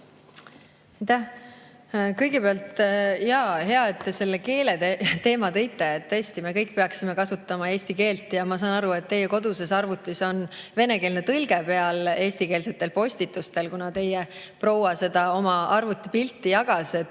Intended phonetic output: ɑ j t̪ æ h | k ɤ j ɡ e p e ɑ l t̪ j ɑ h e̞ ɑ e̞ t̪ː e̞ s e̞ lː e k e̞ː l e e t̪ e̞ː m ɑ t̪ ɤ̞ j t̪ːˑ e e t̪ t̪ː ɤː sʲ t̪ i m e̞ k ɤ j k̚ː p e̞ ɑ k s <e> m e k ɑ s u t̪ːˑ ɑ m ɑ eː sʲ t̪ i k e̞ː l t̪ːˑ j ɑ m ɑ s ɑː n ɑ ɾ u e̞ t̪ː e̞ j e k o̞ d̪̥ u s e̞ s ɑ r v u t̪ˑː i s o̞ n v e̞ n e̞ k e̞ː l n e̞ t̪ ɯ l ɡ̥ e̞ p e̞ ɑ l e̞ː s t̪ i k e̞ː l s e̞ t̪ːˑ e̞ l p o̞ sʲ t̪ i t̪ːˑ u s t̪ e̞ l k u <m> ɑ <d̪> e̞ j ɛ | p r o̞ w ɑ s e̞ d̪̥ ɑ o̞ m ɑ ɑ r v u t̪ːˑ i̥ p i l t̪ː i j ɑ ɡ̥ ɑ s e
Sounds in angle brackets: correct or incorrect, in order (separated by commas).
incorrect, incorrect, incorrect